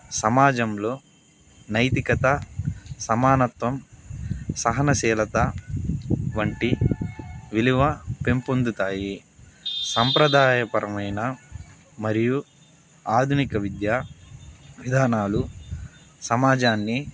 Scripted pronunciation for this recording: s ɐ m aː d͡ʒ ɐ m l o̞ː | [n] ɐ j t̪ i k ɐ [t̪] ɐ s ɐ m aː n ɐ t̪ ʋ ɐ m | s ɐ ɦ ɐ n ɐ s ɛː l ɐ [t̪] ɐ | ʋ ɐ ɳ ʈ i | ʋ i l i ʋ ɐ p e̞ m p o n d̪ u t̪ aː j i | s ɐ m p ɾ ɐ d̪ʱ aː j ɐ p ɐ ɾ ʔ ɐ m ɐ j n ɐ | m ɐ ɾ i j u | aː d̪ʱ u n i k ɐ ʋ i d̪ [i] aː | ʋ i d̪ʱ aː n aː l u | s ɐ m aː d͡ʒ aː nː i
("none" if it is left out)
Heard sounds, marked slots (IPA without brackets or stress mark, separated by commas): n, t̪, t̪, j